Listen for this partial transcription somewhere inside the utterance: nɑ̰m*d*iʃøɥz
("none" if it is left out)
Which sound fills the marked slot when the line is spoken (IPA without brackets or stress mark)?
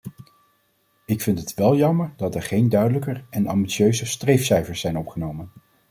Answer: b